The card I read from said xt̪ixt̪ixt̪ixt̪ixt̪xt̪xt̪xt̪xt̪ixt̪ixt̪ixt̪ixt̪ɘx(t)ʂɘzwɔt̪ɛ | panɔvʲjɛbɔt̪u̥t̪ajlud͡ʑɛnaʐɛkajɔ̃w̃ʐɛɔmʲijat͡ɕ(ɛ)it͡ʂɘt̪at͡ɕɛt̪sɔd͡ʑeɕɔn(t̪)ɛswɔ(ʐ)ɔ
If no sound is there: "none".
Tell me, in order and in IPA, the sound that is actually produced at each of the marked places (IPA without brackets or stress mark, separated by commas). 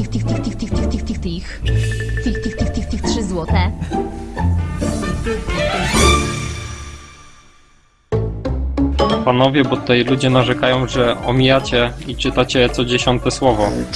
t, ɛ, t̪, v